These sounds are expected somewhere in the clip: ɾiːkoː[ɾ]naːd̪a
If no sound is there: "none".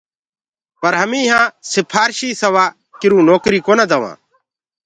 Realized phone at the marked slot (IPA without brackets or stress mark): none